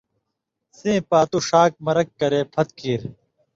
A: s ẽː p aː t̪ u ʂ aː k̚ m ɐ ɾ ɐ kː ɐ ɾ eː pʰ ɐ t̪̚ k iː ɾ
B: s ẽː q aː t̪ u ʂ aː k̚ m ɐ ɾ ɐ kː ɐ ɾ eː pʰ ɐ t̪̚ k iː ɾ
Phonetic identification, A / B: A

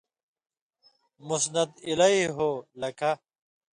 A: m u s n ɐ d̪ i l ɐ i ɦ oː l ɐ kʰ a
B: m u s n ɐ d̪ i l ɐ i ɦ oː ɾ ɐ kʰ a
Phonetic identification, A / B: A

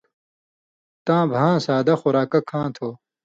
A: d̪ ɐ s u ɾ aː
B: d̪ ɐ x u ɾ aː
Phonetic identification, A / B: B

